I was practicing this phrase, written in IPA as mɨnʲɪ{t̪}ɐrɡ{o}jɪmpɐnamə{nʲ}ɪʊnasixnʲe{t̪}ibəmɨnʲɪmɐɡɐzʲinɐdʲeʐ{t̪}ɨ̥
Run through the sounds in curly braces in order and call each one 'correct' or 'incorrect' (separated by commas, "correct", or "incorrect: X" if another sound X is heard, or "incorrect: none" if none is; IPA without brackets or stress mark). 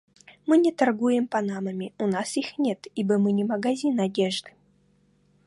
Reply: correct, incorrect: u, incorrect: mʲ, correct, incorrect: d̪